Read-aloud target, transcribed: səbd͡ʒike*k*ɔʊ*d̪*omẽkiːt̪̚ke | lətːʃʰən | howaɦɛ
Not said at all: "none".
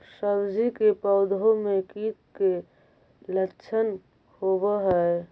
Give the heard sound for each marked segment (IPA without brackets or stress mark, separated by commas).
p, d̪